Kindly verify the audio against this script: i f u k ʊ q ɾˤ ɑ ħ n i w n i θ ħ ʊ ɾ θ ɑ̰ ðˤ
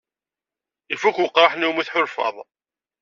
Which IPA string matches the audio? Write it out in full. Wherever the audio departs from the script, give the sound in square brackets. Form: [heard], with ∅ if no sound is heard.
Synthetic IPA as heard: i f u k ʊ q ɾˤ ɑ ħ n i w [m] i θ ħ ʊ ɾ [f] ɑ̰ ðˤ